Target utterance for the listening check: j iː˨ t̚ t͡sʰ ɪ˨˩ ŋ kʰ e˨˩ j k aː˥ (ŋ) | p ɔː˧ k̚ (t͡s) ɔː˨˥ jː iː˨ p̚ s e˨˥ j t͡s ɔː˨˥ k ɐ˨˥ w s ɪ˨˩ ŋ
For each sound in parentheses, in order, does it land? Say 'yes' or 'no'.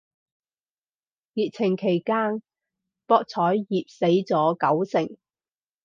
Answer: no, no

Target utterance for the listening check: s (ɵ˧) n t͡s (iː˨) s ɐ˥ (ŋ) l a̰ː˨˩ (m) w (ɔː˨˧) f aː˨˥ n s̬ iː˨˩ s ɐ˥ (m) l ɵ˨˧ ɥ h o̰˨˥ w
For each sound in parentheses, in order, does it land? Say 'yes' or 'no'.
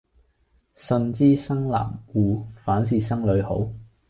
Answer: yes, no, yes, yes, no, no

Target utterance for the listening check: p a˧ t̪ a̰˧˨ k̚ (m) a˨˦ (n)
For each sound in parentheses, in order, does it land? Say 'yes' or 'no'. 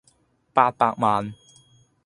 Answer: yes, yes

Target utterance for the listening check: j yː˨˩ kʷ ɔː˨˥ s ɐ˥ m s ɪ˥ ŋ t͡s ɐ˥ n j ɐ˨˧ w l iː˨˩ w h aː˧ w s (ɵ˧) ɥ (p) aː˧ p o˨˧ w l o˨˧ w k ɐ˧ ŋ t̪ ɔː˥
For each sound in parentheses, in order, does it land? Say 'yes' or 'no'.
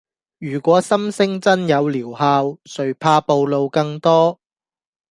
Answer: no, no

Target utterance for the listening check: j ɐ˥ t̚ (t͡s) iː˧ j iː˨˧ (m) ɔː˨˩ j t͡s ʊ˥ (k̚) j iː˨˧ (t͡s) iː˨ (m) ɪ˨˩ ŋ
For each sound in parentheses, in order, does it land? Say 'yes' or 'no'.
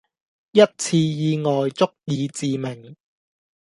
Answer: no, no, yes, yes, yes

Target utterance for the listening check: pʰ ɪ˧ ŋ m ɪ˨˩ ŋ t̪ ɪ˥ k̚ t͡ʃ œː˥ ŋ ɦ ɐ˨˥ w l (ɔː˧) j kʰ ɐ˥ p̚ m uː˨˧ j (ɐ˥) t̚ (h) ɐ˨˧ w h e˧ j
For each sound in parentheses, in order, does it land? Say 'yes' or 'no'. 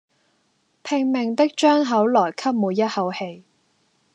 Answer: no, yes, yes

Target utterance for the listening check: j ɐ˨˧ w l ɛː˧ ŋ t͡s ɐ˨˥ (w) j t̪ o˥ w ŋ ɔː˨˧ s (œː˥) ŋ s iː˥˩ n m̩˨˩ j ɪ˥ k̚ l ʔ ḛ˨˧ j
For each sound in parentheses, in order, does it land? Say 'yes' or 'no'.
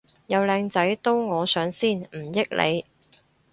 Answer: no, no

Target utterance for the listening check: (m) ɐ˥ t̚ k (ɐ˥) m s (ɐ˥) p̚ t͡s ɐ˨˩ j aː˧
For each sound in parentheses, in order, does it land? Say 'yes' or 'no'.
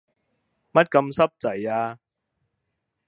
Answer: yes, no, yes

